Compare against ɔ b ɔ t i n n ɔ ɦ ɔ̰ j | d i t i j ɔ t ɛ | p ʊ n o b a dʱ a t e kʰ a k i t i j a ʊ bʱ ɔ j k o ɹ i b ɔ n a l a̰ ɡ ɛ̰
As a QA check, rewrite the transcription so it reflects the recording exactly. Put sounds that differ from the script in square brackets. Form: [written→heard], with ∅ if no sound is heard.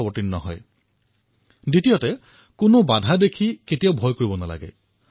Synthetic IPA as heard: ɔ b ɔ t i n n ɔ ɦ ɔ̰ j | d i t i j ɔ t ɛ | [p→k] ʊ n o b a dʱ a [t→d] e kʰ [a→i] k [i→e] t i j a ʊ bʱ ɔ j k o ɹ i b ɔ n a l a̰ ɡ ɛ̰